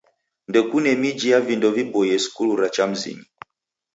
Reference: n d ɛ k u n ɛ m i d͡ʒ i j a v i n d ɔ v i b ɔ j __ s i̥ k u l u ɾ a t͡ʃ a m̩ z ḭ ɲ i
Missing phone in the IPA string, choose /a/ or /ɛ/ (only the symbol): ɛ